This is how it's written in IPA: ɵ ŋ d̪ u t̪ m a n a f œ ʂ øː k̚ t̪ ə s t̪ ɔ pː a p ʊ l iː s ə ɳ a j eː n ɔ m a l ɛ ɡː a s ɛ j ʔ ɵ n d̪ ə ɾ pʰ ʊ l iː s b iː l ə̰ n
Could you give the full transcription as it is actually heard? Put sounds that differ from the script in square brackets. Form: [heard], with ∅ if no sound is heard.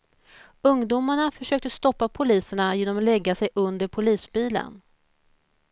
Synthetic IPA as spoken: ɵ ŋ d̪ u [∅] m a [ɳ] a f œ ʂ øː k̚ t̪ ə s t̪ ɔ pː a [pʰ] ʊ l iː s ə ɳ a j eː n ɔ m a l ɛ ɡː a s ɛ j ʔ ɵ n d̪ ə ɾ pʰ ʊ l iː s b iː l ə̰ n